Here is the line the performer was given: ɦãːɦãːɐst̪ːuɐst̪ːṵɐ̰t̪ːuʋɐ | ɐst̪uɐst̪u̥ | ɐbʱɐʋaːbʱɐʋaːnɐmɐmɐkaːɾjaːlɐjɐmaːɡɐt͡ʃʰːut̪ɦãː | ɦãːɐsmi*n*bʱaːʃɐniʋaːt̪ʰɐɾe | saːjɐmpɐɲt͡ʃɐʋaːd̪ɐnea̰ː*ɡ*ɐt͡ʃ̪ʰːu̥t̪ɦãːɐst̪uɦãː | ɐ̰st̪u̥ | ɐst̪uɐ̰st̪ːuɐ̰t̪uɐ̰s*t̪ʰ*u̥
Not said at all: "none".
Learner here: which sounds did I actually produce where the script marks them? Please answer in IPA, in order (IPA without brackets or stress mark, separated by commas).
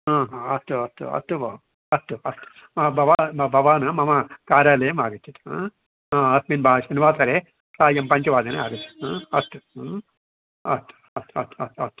n, ɡ, t̪